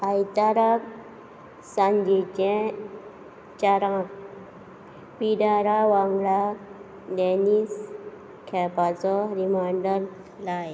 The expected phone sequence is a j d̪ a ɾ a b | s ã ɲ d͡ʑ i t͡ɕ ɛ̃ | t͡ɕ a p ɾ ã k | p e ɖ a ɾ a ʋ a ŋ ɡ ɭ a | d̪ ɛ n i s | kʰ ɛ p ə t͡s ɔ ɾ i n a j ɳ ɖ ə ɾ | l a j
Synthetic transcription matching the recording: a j t̪ a ɾ a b | s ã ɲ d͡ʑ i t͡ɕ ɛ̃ | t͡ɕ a ɾ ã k | p i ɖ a ɾ a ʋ a ŋ ɡ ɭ a | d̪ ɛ n i s | kʰ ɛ p a t͡s ɔ ɾ i m a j ɳ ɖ ə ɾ | l a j

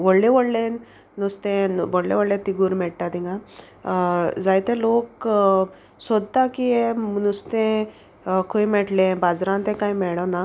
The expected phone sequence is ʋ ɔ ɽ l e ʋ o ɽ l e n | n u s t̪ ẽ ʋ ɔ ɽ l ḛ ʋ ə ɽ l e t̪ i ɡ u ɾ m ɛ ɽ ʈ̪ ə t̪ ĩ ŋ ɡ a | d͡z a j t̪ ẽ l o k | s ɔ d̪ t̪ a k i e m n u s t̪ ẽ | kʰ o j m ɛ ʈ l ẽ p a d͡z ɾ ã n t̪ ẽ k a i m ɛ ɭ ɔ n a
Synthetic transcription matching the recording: ʋ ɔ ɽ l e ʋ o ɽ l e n | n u s t̪ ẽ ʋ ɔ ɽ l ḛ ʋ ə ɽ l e t̪ i ɡ u ɾ m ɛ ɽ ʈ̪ a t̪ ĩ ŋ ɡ a | d͡z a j t̪ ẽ l o k | s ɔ d̪ t̪ a k i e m n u s t̪ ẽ | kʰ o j m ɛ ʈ l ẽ b a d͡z ɾ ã n t̪ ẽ k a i m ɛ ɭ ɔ n a

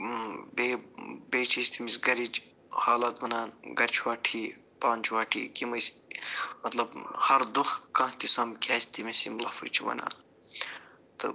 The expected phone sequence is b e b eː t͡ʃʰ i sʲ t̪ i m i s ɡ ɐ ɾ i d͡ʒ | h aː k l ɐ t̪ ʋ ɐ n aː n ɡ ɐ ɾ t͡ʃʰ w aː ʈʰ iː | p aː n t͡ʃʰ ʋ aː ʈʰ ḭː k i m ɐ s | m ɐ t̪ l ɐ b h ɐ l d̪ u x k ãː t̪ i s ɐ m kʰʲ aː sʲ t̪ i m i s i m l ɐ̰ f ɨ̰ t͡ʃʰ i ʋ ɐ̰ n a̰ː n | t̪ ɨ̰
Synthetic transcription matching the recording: b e b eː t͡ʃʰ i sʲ t̪ i m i s ɡ ɐ ɾ i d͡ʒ | h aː l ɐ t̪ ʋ ɐ n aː n ɡ ɐ ɾ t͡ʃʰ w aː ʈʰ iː | p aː n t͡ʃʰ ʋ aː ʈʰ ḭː k i m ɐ s | m ɐ t̪ l ɐ b h ɐ ɾ d̪ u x k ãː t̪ i s ɐ m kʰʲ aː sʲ t̪ i m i s i m l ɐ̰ f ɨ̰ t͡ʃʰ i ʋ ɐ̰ n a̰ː n | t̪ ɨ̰

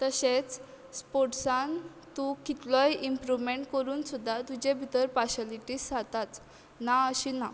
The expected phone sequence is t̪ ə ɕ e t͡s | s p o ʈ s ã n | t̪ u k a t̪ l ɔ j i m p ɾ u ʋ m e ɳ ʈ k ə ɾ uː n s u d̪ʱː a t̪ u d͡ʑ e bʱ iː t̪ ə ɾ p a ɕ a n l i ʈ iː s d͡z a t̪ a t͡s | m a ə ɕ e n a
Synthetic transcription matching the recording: t̪ ə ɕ e t͡s | s p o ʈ s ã n | t̪ u k i t̪ l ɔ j i m p ɾ u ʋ m e ɳ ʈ k ə ɾ uː n s u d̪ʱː a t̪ u d͡ʑ e bʱ i t̪ ə ɾ p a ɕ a l i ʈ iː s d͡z a t̪ a t͡s | n a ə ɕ i n a

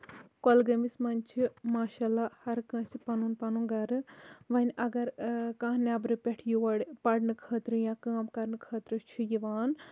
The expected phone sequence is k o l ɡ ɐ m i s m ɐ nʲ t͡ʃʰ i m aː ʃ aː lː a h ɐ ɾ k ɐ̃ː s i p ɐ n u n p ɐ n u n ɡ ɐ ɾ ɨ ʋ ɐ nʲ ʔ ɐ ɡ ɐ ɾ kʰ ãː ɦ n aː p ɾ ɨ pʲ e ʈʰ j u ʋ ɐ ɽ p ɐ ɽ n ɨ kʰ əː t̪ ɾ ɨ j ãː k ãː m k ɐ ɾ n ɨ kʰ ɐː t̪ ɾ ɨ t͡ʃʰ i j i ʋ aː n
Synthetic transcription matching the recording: k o l ɡ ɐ m i s m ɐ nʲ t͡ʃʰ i m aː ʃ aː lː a h ɐ ɾ k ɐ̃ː s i p ɐ n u n p ɐ n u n ɡ ɐ ɾ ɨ ʋ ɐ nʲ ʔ ɐ ɡ ɐ ɾ k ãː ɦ n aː b ɾ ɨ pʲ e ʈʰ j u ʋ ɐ ɽ p ɐ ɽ n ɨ kʰ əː t̪ ɾ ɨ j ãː k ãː m k ɐ ɾ n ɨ kʰ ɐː t̪ ɾ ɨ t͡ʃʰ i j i ʋ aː n

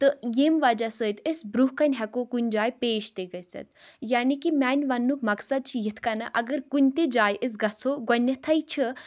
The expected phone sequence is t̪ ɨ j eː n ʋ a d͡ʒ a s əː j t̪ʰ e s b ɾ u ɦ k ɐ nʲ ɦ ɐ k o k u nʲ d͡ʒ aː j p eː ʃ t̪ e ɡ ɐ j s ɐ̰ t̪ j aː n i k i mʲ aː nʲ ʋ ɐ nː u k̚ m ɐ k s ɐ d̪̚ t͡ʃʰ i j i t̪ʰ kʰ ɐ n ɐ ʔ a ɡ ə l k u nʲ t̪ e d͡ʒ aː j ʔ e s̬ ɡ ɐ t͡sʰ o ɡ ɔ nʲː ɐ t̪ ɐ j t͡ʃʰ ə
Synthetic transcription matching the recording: t̪ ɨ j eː m ʋ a d͡ʒ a s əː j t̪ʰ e s b ɾ u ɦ k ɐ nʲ ɦ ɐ k o k u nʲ d͡ʒ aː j p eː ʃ t̪ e ɡ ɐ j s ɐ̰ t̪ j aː n i k i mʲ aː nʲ ʋ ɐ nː u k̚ m ɐ k s ɐ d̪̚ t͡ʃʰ i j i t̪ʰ k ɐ n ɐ ʔ ɐ ɡ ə ɾ k u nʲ t̪ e d͡ʒ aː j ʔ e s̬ ɡ ɐ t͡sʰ o ɡ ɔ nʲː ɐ t̪ʰ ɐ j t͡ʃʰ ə

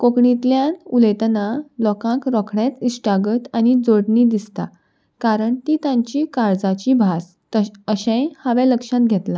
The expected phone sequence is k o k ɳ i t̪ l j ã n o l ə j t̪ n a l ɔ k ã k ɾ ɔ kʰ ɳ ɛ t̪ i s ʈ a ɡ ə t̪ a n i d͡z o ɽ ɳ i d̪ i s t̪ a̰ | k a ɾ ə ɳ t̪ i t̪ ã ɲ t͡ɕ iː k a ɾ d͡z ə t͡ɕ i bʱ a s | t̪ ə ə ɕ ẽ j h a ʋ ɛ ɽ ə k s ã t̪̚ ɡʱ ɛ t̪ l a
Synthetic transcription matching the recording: k o k ɳ i t̪ l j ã n u l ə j t̪ n a l ɔ k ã k ɾ ɔ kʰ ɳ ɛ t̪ i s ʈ a ɡ ə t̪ a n i d͡z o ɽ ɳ i d̪ i s t̪ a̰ | k a ɾ ə ɳ t̪ i t̪ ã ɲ t͡ɕ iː k a ɾ d͡z a t͡ɕ i bʱ a s | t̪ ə ə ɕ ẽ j h a ʋ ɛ l ə k ʂ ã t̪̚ ɡʱ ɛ t̪ l a

